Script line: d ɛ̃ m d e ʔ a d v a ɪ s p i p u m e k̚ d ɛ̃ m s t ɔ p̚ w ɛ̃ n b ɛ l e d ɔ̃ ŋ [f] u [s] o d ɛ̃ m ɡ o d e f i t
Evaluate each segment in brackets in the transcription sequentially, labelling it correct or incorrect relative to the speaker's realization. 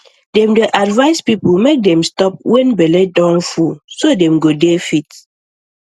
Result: correct, correct

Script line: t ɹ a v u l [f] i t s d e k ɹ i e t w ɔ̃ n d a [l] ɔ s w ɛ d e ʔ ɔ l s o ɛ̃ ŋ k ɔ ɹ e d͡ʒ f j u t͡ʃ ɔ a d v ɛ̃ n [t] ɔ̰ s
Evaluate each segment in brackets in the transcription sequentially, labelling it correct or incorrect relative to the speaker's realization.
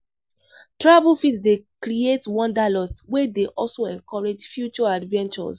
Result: correct, correct, incorrect: t͡ʃ

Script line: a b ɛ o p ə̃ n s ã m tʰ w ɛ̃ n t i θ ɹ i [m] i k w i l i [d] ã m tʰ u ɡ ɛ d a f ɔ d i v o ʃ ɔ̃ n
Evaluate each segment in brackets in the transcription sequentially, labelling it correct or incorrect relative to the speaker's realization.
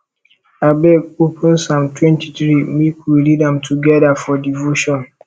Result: correct, correct

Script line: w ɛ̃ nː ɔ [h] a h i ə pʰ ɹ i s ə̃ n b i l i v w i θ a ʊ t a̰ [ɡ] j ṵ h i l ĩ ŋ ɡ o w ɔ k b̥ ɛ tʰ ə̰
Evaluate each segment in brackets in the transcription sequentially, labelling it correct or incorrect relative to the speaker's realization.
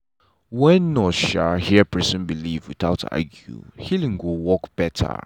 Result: incorrect: ʃ, correct

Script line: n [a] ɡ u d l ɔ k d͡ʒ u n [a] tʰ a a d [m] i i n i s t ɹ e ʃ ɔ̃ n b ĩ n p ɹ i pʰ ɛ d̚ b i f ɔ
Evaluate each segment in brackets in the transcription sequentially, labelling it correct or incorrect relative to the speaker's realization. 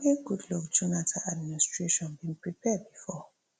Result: incorrect: i, correct, correct

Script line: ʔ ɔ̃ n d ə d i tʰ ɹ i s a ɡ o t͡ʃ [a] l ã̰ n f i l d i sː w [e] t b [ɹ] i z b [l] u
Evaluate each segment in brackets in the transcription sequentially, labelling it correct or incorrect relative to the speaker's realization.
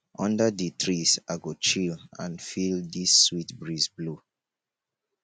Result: incorrect: i, incorrect: i, correct, correct

